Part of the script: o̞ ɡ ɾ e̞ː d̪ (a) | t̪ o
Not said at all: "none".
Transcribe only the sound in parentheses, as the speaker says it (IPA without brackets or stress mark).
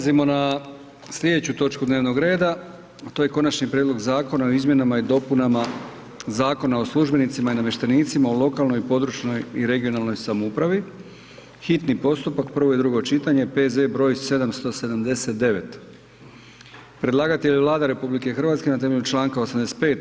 a